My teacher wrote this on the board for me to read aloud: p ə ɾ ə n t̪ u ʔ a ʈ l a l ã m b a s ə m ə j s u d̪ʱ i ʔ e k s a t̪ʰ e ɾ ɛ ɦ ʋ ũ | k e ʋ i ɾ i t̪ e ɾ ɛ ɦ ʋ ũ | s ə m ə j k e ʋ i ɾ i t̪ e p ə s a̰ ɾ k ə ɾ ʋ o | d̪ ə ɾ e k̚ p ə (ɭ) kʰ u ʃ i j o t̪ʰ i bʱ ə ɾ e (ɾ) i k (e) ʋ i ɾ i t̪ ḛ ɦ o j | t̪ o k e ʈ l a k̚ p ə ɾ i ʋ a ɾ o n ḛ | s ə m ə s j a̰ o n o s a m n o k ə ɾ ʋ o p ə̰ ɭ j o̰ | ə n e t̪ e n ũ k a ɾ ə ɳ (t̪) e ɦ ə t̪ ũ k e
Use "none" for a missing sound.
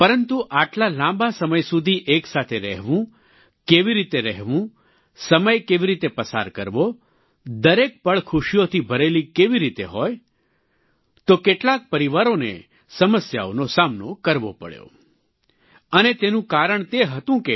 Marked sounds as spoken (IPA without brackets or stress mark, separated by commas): ɭ, l, e, t̪